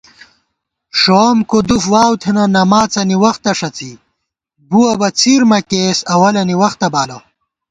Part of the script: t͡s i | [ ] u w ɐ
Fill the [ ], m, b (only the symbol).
b